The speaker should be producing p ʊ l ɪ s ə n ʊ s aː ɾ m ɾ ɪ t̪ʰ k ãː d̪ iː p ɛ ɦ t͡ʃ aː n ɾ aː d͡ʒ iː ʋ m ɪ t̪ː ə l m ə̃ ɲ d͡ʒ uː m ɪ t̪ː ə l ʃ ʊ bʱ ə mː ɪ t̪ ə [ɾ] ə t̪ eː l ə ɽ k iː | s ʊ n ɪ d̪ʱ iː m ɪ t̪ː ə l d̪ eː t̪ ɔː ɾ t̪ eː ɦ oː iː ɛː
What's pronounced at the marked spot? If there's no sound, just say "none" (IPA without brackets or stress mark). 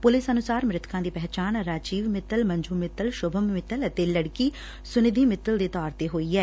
l